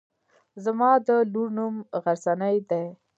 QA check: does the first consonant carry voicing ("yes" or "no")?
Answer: yes